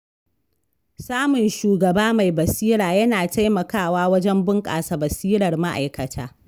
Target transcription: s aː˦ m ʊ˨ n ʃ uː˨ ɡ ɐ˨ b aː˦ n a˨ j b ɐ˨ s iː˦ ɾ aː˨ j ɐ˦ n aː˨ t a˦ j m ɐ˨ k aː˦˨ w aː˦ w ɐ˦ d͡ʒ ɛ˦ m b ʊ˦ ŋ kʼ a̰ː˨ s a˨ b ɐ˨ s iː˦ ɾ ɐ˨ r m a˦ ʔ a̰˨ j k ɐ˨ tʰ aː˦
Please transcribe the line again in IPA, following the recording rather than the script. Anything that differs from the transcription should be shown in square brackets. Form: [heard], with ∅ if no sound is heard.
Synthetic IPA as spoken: s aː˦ m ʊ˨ n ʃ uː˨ ɡ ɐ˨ b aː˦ [m] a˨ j b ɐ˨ s iː˦ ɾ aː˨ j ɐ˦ n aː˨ t a˦ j m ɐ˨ k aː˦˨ w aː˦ w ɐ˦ d͡ʒ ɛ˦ m b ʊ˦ ŋ kʼ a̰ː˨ s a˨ b ɐ˨ s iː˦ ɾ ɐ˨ r m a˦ ʔ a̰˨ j k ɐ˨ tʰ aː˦